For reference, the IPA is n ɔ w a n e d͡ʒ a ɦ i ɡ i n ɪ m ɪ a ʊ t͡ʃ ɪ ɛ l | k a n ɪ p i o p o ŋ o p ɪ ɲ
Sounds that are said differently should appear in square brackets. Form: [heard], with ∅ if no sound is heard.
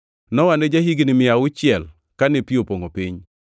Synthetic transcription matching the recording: n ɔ w a n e d͡ʒ a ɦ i ɡ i n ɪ m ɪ a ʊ t͡ʃ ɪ ɛ l | k a n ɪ p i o p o ŋ o p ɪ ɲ